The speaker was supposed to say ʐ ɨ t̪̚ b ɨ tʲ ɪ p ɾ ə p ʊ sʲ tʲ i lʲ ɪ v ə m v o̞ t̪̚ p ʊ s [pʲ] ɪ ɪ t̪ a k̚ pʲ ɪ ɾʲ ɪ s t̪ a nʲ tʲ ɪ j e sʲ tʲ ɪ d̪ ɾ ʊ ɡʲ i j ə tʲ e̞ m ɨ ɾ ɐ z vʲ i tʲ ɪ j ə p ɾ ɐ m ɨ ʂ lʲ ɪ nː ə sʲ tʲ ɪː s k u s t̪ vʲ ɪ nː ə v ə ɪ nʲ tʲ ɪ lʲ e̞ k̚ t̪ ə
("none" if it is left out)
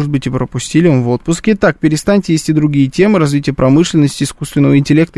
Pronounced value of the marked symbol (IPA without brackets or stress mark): kʲ